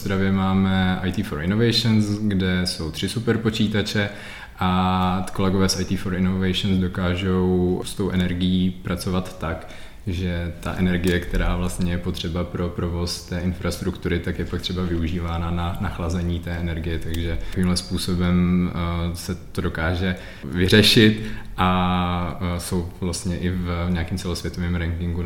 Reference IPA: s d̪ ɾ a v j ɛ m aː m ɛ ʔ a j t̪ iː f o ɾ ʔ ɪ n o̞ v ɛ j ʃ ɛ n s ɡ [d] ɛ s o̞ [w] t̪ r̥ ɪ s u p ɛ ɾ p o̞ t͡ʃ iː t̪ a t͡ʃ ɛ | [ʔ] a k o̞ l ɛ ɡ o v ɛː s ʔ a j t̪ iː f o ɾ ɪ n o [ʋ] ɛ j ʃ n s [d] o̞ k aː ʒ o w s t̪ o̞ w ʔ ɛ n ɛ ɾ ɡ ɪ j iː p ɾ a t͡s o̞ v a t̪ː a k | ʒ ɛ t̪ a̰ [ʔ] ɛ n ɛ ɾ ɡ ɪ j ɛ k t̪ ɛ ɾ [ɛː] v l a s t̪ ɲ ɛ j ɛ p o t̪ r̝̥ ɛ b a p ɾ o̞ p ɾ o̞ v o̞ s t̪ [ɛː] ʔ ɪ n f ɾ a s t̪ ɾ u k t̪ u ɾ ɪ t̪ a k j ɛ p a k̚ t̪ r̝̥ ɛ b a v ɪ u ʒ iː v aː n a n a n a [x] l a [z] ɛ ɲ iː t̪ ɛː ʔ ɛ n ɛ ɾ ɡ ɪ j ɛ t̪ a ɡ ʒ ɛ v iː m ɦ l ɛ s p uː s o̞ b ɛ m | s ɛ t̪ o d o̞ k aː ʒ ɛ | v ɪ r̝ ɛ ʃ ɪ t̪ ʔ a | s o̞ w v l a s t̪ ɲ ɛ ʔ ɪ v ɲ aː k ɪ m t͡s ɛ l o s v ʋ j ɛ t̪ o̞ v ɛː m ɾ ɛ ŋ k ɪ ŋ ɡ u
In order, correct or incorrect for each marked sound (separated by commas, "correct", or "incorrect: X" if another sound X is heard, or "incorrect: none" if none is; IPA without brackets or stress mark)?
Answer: correct, correct, correct, incorrect: v, correct, correct, incorrect: aː, correct, correct, correct